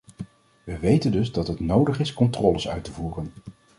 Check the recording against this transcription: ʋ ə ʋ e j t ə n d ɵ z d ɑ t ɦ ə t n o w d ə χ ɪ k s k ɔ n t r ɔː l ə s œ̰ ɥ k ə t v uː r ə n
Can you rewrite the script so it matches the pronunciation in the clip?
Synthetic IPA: ʋ ə ʋ e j t ə n d ɵ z d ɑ t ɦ ə t n o w d ə χ ɪ s k ɔ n t r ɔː l ə s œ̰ ɥ t ə v uː r ə n